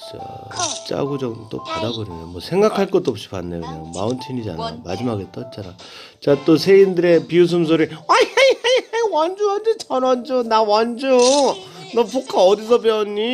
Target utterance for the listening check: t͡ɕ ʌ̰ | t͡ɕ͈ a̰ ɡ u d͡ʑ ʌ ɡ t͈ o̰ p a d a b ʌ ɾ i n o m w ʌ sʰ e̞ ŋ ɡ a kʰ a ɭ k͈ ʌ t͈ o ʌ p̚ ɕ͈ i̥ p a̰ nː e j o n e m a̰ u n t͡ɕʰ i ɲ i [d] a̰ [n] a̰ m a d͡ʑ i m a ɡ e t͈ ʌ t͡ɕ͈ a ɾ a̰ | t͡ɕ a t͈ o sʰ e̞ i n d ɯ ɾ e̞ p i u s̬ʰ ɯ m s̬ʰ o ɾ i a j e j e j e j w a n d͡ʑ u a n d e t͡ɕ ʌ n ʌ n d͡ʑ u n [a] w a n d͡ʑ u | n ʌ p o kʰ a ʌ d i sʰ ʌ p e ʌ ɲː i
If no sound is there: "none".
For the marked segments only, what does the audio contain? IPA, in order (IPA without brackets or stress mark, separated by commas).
d͡ʑ, n, a